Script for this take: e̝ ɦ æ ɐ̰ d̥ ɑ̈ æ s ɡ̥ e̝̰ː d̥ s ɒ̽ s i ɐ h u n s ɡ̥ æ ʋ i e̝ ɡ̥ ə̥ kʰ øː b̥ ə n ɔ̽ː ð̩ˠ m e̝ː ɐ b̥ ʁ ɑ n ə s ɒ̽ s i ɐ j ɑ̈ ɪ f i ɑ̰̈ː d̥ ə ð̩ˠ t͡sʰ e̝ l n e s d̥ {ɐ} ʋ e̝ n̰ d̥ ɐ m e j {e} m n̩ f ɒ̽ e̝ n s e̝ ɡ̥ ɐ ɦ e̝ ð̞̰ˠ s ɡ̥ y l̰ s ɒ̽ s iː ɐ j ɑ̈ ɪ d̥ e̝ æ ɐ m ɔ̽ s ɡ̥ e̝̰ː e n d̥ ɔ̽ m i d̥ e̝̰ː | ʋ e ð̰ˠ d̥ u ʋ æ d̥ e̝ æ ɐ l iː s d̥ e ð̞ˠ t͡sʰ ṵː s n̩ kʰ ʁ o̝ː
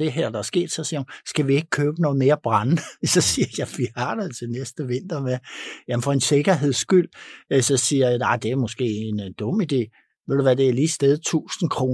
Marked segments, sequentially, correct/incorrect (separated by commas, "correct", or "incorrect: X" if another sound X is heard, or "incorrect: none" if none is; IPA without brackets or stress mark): incorrect: ə, incorrect: æ